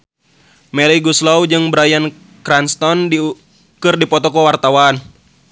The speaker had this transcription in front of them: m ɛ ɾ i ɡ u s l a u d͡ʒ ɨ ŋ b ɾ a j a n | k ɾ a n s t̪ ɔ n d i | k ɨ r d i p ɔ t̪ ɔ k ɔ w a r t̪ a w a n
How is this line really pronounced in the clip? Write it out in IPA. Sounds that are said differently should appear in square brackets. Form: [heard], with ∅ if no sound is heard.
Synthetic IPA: m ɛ ɾ i ɡ u s l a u d͡ʒ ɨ ŋ b ɾ a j a n | k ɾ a n s t̪ ɔ n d i | k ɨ r d i p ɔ t̪ ɔ k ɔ w a r t̪ a w a n